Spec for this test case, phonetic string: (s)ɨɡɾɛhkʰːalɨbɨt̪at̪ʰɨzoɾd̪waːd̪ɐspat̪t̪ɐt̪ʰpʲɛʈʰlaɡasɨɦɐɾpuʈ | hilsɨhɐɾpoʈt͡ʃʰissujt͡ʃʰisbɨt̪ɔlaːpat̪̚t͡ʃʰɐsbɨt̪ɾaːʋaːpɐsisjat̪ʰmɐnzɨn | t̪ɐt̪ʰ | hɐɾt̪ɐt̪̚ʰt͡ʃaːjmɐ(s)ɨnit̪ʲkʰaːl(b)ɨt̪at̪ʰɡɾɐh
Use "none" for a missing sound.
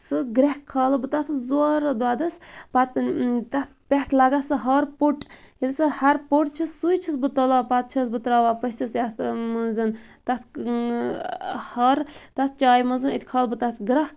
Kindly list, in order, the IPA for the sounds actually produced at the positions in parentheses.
s, z, b

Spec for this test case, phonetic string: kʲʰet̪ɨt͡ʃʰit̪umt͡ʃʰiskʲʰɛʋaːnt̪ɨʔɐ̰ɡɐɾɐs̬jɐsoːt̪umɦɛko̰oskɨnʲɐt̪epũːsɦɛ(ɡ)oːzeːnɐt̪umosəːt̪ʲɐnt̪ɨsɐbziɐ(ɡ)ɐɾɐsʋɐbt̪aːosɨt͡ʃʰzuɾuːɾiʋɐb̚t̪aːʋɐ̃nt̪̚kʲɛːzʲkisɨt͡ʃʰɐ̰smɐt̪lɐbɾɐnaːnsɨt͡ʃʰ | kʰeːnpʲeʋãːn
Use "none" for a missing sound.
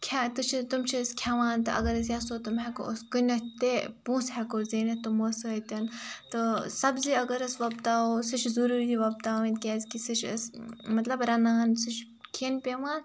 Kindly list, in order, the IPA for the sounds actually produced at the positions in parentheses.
k, ɡ

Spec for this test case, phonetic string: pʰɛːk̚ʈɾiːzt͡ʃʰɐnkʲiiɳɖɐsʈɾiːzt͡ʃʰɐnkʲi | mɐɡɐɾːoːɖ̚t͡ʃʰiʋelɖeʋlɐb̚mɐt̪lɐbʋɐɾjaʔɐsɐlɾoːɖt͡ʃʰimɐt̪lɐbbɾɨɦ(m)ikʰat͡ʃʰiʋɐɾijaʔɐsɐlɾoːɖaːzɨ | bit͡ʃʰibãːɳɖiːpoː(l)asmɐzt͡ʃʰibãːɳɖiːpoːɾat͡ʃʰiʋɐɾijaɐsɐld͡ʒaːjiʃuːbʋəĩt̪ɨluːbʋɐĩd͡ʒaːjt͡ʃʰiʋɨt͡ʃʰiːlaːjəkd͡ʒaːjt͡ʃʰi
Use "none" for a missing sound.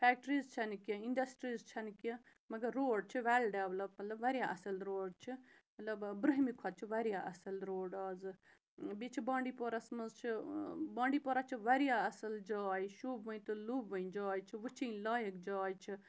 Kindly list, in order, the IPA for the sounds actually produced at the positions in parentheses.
m, ɾ

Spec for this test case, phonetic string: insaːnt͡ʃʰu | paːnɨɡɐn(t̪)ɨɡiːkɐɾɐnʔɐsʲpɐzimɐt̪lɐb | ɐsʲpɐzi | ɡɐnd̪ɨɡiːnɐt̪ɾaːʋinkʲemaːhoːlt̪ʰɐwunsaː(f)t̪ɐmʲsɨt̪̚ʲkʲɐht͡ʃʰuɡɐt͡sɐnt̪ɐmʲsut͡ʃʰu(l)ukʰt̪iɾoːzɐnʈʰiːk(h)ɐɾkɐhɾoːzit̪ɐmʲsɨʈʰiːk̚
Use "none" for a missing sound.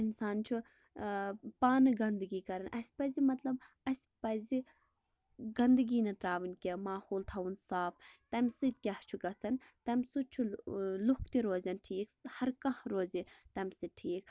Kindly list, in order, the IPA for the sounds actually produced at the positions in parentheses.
d̪, f, l, h

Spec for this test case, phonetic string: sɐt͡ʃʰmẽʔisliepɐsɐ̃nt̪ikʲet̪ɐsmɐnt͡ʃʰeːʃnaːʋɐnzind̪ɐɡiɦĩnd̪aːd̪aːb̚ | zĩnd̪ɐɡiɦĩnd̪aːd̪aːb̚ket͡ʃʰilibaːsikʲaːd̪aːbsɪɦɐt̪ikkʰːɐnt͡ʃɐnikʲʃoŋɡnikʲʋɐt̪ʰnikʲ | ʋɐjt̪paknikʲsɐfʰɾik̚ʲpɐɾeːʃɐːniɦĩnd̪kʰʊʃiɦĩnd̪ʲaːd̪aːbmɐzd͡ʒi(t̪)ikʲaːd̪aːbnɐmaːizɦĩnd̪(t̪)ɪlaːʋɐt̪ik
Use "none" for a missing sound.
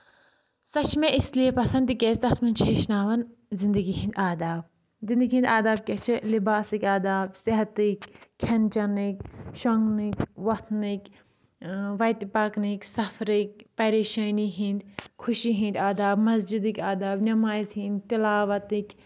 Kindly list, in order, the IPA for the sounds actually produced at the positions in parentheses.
d̪, t̪

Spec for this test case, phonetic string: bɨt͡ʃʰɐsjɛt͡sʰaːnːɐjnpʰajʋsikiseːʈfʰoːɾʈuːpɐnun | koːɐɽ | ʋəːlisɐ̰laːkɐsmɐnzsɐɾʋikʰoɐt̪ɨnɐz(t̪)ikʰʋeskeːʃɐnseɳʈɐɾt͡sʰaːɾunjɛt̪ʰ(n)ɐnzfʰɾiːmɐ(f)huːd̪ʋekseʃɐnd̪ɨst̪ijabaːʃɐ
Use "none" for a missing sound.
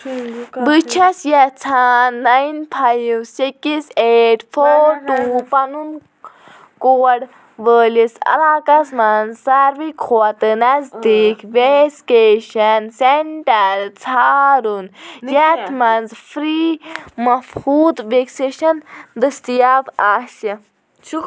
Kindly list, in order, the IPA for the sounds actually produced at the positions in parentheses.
d̪, m, f

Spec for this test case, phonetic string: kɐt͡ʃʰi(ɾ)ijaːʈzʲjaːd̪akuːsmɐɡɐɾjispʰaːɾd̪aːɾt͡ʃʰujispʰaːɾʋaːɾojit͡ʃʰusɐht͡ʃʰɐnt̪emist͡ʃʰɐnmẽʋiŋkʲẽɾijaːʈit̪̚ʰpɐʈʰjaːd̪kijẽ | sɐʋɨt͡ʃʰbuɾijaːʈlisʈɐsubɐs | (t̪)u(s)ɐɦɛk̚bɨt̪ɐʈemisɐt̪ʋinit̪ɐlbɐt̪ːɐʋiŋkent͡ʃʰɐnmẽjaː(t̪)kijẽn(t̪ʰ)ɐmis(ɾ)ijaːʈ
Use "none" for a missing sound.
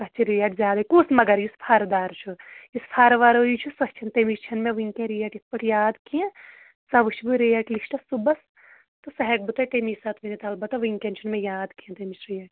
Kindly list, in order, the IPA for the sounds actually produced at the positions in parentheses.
ɾ, t̪, s, d̪, t̪, ɾ

